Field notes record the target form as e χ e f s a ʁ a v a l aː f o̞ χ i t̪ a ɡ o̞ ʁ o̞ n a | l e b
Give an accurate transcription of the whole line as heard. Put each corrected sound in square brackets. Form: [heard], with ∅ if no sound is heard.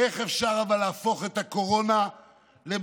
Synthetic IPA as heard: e χ e f [ʃ] a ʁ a v a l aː f o̞ χ [e] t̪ a [k] o̞ ʁ o̞ n a | l e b

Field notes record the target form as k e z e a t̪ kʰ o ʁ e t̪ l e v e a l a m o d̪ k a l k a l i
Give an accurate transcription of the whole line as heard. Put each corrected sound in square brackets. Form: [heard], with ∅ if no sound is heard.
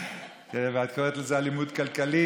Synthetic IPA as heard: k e [v] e a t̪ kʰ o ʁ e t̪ l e [z] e a l [i] m [u] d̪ k a l k a l i

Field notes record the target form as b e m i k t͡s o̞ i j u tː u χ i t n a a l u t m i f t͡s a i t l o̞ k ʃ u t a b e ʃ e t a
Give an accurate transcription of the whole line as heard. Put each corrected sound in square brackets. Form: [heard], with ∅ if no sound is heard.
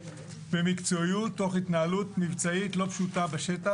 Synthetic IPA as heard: b e m i k t͡s o̞ i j u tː [o] χ i t n a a l u t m i [v] t͡s a i t l o̞ [p] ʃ u t a b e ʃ e t a

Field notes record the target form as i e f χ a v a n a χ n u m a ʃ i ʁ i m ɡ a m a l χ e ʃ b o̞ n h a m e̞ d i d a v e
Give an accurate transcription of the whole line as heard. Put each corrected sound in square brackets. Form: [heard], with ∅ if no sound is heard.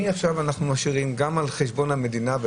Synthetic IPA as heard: i [a] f [ʃ] a v a n a χ n u m a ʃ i ʁ i m ɡ a m a l χ e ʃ b o̞ n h a m e̞ d i [n] a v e

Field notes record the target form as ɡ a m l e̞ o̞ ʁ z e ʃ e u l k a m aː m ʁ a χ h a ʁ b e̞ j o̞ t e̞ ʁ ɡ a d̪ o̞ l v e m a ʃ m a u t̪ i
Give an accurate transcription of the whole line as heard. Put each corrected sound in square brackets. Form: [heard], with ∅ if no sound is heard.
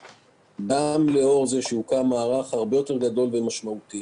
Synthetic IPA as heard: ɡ a m l e̞ o̞ ʁ z e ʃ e u [∅] k a m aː [∅] ʁ a χ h a ʁ b e̞ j o̞ t e̞ ʁ ɡ a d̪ o̞ l v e m a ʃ m a u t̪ i

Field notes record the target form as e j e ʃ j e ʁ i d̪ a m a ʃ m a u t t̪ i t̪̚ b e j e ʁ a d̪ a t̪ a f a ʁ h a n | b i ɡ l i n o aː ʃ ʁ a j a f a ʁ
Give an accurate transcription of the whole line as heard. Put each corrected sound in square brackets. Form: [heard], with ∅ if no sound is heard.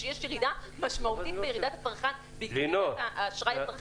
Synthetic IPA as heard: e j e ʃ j e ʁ i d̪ a m a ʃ m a u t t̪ i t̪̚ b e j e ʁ [i] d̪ a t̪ a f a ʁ [χ] a n | b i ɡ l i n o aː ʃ ʁ a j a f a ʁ

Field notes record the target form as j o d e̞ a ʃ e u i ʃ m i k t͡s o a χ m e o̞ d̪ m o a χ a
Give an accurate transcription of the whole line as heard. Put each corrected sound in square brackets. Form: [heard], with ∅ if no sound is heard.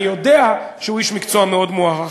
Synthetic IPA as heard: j o d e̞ a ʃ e u i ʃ m i k t͡s o a [∅] m e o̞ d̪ m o a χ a

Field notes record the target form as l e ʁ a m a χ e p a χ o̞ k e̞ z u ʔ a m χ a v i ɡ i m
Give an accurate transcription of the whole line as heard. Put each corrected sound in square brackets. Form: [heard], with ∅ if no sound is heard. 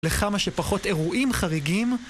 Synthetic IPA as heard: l e [χ] a m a [ʃ] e p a χ o̞ [t] e̞ [ʁ] u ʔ [i] m χ a [ʁ] i ɡ i m

